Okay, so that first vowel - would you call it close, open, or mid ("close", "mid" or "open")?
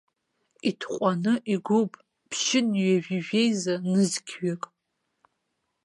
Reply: close